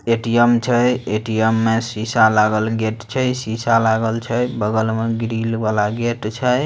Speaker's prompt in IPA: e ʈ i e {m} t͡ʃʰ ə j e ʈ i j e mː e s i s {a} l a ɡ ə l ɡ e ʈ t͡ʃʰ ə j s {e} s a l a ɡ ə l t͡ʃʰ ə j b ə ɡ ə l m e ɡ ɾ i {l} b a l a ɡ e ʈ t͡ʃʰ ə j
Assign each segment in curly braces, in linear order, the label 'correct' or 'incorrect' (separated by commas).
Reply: correct, correct, incorrect, correct